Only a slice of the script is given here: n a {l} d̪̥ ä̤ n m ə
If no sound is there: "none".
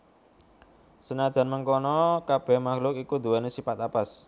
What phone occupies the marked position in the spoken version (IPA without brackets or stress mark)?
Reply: none